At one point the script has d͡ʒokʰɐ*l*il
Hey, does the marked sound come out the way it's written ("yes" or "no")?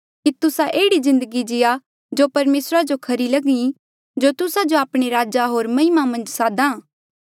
no